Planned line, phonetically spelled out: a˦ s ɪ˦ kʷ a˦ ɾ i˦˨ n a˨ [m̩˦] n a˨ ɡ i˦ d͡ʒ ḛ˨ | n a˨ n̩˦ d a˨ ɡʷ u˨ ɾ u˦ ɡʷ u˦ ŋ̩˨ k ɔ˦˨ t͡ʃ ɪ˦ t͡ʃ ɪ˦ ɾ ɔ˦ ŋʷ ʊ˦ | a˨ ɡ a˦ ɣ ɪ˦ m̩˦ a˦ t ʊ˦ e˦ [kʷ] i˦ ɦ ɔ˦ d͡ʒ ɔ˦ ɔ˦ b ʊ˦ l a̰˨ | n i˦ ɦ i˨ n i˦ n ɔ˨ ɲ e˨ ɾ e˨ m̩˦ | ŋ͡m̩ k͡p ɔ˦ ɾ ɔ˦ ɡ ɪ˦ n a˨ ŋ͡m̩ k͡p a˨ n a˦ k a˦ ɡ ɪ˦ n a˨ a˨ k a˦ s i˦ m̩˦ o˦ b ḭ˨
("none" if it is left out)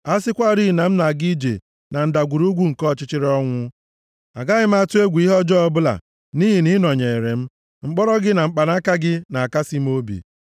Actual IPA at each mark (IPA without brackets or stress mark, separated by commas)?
m̩˦, ɡʷ